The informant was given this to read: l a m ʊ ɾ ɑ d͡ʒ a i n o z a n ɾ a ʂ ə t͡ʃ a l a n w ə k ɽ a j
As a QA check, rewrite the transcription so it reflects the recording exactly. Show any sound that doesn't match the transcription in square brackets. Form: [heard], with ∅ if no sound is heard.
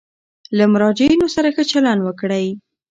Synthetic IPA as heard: l a m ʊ ɾ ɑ d͡ʒ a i n o [s] a [∅] ɾ a [x] ə t͡ʃ a l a n w ə k ɽ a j